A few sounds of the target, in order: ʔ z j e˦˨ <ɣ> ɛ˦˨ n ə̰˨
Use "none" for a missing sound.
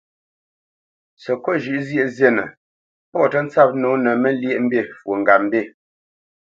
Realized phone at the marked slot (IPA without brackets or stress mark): z